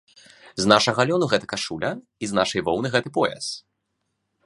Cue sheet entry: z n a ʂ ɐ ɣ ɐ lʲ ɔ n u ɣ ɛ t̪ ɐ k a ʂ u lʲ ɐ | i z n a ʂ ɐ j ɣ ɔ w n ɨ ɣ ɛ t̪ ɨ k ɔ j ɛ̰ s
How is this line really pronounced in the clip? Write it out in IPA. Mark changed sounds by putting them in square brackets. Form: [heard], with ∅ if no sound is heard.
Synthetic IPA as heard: z n a ʂ ɐ ɣ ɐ lʲ ɔ n u ɣ ɛ t̪ ɐ k a ʂ u lʲ ɐ | i z n a ʂ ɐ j [v] ɔ w n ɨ ɣ ɛ t̪ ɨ [p] ɔ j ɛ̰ s

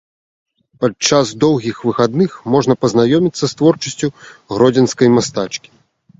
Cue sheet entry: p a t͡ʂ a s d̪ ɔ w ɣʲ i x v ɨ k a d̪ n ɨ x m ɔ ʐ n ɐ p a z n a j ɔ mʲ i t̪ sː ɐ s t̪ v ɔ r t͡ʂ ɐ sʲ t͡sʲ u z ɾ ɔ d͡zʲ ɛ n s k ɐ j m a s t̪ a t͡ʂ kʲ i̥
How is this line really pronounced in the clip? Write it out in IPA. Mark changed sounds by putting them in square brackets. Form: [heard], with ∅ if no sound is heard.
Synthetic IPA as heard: p a t͡ʂ a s d̪ ɔ w ɣʲ i x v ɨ [x] a d̪ n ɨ x m ɔ ʐ n ɐ p [ɐ] z n a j ɔ mʲ i t̪ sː ɐ s t̪ v ɔ r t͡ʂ ɐ sʲ t͡sʲ u [ɣ] ɾ ɔ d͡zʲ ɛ n s k ɐ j m a s t̪ a t͡ʂ kʲ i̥

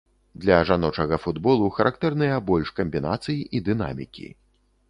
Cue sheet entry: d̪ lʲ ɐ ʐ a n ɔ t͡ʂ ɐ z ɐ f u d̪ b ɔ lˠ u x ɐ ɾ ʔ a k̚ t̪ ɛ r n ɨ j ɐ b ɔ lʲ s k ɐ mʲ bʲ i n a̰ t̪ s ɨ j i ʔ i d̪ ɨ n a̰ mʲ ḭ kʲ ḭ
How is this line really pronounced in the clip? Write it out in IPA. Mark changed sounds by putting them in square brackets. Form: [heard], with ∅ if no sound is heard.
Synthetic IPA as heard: d̪ lʲ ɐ ʐ a n ɔ t͡ʂ ɐ [ɣ] ɐ f u d̪ b ɔ lˠ u x ɐ ɾ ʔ a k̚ t̪ ɛ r n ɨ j ɐ b ɔ lʲ [ʂ] k ɐ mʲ bʲ i n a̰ t̪ s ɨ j i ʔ i d̪ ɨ n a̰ mʲ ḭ kʲ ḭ

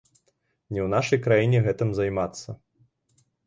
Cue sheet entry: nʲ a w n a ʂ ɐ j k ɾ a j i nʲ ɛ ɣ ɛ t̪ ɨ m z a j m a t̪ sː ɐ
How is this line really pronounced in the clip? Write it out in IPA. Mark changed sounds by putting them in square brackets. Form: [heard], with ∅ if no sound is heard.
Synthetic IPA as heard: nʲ [ɛ] w n a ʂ ɐ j k ɾ a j i nʲ ɛ ɣ ɛ t̪ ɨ m z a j m a t̪ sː ɐ

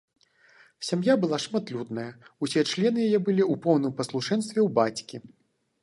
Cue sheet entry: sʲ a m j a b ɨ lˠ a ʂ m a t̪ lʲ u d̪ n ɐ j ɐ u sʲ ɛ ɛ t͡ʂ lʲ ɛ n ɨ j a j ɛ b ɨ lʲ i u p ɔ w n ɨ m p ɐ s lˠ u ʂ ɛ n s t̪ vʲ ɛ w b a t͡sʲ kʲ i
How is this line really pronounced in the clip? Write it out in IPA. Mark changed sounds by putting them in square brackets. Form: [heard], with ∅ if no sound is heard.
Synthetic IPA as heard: sʲ a m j a b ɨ lˠ a ʂ m a t̪ lʲ u d̪ n ɐ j ɐ u sʲ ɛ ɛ t͡ʂ lʲ ɛ n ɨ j a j ɛ b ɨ lʲ i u p ɔ w n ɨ m p ɐ s lˠ u ʂ ɛ n s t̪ vʲ ɛ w b a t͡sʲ kʲ i

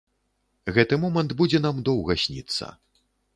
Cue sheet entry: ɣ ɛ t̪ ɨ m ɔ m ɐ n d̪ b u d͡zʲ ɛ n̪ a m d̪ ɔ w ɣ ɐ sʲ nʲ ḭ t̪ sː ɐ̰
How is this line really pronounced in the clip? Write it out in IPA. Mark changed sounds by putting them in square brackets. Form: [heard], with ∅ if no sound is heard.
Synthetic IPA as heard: ɣ ɛ t̪ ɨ m ɔ m ɐ n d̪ b u d͡zʲ ɛ n̪ a m d̪ ɔ w ɣ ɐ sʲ nʲ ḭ t̪ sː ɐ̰

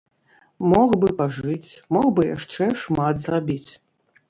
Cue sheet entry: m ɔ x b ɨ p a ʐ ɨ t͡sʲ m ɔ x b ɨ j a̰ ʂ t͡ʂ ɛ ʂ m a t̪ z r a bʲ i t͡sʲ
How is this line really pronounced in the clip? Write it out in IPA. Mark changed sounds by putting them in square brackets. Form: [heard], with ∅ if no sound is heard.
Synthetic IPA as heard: m ɔ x b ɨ p a ʐ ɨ t͡sʲ m ɔ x b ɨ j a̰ ʂ t͡ʂ ɛ ʂ m a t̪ z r a bʲ i t͡sʲ

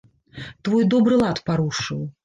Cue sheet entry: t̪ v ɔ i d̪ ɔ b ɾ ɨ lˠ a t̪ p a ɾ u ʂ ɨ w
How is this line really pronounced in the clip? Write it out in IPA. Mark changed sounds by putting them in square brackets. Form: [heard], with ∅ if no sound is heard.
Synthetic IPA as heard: t̪ v ɔ [j] d̪ ɔ b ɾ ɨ lˠ a t̪ p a ɾ u ʂ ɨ w

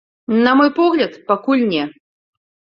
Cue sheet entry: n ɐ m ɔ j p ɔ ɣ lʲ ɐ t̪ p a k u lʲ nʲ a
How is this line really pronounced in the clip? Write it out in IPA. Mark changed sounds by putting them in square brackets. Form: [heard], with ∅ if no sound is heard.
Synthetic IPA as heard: n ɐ m ɔ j p ɔ ɣ lʲ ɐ t̪ p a k u lʲ nʲ [ɛ]

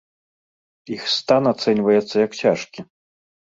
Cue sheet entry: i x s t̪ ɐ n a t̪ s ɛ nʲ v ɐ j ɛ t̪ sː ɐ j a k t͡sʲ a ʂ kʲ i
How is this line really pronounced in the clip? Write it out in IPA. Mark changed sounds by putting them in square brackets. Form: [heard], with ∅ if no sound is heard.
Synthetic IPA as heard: i x s t̪ [a] n a t̪ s ɛ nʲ v ɐ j ɛ t̪ sː ɐ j [ɐ] k t͡sʲ a ʂ kʲ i

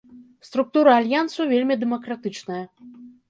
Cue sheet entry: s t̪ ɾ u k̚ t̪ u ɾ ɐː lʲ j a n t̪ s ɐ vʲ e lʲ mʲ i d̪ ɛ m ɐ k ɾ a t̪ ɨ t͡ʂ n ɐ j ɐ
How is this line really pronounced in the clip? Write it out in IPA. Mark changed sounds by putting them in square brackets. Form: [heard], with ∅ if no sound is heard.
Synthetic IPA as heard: s t̪ ɾ u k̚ t̪ u ɾ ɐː lʲ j a n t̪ s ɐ vʲ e lʲ mʲ i d̪ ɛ m ɐ k ɾ a t̪ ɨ t͡ʂ n ɐ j ɐ

